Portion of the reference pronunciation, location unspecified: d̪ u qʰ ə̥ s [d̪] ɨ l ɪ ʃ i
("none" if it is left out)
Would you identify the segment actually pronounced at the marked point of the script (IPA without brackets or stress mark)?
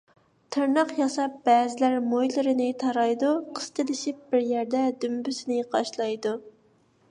t̪